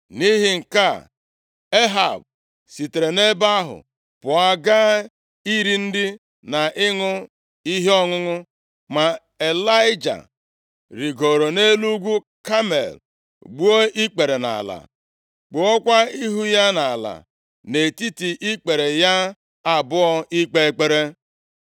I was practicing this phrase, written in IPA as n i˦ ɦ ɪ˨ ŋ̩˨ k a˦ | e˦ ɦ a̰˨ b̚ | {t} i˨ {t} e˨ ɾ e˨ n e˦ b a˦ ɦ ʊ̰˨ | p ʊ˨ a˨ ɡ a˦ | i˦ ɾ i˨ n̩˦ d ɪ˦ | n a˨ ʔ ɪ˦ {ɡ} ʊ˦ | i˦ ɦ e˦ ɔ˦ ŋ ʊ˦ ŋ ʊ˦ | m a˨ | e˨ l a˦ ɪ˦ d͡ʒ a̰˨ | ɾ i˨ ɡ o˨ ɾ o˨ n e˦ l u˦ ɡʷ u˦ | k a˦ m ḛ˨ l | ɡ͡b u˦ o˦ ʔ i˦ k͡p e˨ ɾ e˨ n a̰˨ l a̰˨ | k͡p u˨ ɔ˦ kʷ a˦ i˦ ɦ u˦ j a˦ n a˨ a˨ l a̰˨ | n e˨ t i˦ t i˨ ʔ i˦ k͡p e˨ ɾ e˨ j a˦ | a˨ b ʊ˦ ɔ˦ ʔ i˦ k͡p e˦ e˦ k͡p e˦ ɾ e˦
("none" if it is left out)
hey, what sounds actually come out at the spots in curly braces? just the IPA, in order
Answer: s, t, ŋ

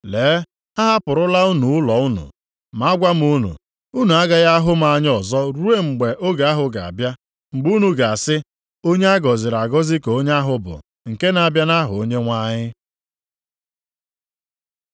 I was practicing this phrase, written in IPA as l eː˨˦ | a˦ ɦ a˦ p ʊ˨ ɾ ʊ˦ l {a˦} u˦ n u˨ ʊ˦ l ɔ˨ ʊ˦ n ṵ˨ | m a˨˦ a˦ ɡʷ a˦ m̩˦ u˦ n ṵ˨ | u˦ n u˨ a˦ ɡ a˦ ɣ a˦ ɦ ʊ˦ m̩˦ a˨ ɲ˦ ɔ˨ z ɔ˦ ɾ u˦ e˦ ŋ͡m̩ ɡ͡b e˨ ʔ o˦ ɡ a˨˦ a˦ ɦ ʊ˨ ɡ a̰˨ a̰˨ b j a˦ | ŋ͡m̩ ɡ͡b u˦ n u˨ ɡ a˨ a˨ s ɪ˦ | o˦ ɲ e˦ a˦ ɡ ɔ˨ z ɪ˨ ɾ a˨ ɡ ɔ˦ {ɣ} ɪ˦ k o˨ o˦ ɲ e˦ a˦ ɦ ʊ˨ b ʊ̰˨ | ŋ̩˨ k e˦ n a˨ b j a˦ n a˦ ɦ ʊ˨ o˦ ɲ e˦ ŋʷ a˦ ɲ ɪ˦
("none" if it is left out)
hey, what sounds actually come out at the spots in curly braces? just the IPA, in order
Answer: a˦, z

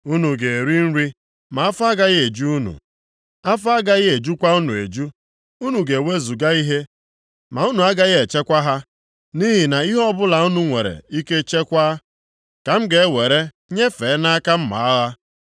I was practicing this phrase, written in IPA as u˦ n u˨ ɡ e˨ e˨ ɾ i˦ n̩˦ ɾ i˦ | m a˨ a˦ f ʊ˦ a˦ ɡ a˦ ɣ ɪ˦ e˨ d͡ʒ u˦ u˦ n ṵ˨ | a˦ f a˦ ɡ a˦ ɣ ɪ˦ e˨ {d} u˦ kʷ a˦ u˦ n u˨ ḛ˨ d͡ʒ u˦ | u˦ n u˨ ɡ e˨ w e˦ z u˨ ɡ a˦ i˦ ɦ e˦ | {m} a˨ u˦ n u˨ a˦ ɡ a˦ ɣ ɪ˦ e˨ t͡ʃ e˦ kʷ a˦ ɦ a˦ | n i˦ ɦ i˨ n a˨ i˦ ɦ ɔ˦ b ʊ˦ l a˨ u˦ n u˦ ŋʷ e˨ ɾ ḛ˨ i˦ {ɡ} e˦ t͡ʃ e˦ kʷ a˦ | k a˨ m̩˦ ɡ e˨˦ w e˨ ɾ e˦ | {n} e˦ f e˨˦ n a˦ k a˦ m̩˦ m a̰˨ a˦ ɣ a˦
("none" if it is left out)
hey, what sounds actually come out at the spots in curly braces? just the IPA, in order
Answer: d͡ʒ, m, k, ɲ

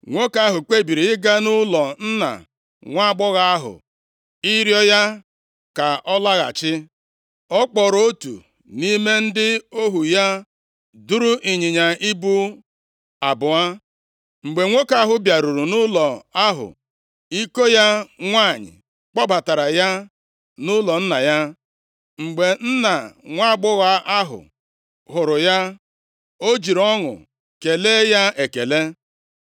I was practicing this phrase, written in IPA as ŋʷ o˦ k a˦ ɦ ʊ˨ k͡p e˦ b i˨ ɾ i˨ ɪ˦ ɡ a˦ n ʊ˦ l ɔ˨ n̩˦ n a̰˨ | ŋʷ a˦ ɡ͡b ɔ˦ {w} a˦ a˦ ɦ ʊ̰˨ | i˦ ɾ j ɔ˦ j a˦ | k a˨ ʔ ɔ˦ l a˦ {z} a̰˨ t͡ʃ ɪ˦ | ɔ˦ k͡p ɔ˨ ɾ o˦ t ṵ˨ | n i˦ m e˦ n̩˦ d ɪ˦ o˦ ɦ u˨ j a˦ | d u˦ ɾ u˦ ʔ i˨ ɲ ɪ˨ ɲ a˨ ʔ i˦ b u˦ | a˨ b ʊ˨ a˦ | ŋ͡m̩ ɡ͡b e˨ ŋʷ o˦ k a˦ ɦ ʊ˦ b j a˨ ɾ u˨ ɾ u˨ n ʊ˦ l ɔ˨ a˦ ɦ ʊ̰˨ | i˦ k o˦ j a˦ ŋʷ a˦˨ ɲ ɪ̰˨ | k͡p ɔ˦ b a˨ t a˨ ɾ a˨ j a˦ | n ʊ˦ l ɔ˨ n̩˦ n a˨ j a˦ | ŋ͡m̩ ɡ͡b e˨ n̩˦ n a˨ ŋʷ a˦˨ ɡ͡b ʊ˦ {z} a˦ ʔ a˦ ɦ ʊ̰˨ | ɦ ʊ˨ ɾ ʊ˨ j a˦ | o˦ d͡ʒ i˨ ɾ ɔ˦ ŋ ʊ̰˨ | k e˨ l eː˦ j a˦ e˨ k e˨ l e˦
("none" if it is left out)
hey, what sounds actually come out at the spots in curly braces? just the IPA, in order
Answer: ɣ, ɣ, ɣ

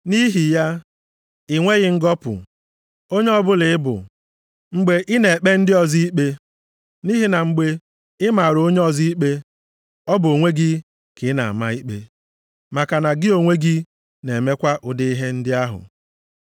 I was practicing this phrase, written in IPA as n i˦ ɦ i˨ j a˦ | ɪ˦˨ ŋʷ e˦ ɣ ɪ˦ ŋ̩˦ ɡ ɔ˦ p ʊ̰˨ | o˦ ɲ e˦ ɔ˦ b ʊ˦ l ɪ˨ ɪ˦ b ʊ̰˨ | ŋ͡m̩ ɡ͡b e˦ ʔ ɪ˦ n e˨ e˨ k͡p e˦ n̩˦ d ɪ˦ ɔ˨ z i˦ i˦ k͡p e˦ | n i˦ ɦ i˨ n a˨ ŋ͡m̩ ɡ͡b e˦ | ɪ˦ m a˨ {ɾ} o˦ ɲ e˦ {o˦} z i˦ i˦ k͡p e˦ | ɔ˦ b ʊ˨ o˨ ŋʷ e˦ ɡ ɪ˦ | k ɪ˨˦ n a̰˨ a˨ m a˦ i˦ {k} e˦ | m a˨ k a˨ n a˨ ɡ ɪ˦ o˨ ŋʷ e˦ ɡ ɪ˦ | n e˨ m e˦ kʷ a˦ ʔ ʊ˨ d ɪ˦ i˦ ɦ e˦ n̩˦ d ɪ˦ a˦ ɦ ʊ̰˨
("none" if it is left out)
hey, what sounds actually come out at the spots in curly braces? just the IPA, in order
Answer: ɾ, ɔ˦, k͡p

